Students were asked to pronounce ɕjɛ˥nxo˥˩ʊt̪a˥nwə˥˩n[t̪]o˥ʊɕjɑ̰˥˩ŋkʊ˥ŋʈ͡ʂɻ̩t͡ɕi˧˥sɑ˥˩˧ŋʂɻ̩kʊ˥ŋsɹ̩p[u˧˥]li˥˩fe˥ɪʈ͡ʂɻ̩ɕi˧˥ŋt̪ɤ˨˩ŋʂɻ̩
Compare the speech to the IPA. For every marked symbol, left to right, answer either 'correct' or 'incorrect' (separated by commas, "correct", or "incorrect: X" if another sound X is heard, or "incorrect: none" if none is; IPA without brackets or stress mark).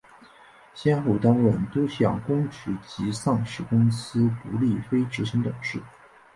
correct, correct